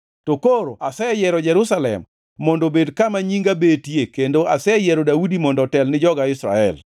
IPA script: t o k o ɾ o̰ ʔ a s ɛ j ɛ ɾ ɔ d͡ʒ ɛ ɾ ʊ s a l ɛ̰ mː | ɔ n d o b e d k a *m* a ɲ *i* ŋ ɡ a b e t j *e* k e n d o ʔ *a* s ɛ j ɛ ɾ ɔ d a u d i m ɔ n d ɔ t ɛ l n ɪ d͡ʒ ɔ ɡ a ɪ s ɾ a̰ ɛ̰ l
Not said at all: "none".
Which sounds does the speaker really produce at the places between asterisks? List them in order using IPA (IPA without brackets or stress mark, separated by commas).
m, i, e, a